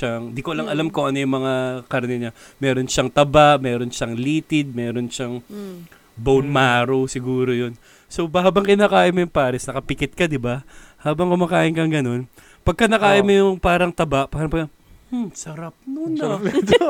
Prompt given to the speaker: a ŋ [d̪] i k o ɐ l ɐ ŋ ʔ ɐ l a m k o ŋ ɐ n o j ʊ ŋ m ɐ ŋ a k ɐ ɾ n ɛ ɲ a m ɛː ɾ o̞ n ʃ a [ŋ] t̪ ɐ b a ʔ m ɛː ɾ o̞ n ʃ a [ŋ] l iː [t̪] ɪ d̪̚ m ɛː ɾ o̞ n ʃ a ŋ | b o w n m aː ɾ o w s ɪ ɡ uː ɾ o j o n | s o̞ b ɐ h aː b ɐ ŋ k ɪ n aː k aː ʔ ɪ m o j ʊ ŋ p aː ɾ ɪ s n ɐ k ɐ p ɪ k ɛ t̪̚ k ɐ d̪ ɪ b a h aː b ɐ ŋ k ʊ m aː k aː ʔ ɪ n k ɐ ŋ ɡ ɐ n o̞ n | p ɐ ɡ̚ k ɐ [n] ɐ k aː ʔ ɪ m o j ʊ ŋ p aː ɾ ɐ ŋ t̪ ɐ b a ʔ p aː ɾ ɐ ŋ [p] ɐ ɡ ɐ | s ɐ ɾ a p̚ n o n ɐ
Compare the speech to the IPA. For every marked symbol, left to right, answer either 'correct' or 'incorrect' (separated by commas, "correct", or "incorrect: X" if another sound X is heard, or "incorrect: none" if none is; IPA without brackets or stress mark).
correct, correct, correct, correct, correct, correct